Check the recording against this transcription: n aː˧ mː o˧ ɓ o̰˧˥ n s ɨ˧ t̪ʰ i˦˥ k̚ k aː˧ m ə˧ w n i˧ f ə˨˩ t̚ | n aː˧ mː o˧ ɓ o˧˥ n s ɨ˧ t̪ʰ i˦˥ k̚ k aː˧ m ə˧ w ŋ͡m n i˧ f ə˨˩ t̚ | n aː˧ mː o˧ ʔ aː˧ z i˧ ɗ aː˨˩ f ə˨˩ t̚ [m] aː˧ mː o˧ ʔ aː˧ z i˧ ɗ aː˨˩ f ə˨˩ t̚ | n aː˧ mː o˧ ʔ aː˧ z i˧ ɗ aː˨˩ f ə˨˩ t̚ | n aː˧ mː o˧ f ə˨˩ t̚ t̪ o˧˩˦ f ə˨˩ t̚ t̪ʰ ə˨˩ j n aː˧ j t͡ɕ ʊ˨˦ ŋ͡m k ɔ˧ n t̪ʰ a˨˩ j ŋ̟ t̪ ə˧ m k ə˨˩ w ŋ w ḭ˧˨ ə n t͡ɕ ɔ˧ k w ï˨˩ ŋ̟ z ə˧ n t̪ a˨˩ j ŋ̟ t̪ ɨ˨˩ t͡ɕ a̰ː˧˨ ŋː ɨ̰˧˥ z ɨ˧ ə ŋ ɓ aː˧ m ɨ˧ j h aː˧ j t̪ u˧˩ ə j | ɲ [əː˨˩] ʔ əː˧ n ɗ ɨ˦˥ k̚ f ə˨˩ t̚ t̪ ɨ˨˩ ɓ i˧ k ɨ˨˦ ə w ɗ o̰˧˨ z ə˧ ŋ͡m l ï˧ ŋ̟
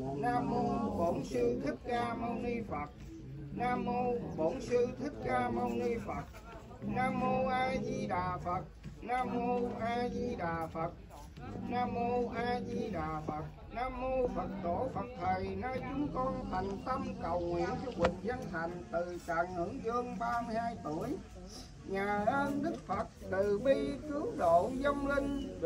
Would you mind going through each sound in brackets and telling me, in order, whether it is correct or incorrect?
incorrect: n, incorrect: aː˨˩

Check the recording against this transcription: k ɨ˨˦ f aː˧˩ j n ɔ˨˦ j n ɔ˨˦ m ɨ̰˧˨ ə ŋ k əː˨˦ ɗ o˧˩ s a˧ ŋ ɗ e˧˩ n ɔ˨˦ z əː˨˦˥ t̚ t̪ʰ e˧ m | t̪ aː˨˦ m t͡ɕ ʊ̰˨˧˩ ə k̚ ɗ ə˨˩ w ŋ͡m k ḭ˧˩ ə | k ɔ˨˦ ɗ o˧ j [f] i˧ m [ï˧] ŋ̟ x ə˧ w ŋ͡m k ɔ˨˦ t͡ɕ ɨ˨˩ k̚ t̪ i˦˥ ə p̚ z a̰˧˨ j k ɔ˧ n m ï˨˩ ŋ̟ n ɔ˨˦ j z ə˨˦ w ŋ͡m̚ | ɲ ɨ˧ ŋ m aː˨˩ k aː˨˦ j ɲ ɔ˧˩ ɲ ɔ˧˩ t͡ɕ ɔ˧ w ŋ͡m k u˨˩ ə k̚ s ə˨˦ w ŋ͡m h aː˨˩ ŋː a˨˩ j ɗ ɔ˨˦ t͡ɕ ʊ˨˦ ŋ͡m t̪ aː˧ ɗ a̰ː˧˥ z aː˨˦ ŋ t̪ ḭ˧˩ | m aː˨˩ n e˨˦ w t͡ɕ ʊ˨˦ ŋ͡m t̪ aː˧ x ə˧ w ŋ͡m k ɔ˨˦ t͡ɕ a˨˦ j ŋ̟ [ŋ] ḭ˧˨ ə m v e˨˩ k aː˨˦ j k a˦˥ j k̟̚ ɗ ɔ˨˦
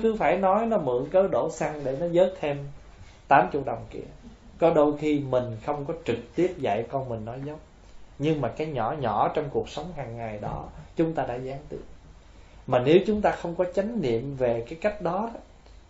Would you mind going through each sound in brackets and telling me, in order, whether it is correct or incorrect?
incorrect: x, incorrect: ï˨˩, incorrect: n

